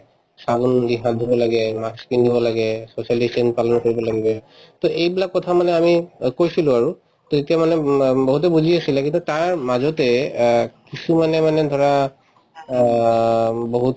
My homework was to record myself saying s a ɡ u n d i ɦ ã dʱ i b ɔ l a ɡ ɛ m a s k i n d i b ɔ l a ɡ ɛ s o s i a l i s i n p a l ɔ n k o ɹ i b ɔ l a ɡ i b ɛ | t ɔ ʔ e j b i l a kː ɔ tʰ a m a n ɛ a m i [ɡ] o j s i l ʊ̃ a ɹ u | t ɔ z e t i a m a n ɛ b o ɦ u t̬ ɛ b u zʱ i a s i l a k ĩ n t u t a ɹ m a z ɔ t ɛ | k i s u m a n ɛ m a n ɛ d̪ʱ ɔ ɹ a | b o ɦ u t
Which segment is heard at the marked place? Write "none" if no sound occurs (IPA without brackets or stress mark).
k